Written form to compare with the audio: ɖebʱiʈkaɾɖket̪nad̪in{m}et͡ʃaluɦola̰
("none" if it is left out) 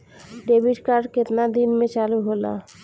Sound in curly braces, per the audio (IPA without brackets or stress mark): m